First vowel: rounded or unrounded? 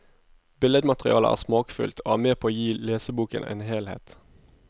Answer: unrounded